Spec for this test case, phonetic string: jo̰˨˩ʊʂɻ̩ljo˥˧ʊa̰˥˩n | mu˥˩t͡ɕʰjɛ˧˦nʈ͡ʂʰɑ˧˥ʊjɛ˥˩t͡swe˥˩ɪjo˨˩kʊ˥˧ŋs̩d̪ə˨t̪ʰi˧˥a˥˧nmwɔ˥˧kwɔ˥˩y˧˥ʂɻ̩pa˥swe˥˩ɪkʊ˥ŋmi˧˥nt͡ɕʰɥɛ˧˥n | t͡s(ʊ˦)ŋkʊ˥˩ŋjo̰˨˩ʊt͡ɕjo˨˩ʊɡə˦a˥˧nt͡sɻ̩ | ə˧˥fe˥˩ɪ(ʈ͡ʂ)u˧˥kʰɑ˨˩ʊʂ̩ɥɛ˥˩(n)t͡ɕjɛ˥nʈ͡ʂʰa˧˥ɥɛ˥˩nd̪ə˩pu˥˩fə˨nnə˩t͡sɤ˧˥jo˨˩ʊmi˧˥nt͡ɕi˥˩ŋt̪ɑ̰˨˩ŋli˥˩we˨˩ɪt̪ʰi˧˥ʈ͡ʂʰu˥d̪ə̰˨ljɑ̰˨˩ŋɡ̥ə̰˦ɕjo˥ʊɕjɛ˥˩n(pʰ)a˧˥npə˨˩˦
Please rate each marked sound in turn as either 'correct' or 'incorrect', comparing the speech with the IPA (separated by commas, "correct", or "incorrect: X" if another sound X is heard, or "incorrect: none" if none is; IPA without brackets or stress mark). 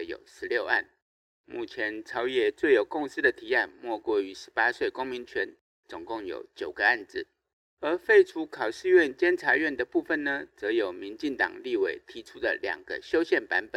incorrect: ʊ˨˩, incorrect: ʈ͡ʂʰ, correct, incorrect: p